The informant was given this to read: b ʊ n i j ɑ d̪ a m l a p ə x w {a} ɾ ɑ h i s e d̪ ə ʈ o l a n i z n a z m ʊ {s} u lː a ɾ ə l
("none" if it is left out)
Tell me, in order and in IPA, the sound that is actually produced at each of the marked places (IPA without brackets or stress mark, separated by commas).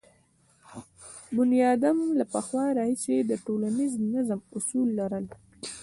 ɑ, s